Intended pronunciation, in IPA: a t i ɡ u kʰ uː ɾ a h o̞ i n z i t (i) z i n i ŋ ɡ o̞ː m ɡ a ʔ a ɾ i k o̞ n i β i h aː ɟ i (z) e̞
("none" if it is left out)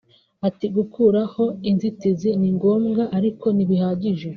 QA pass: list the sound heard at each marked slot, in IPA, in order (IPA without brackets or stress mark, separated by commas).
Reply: i, ʒ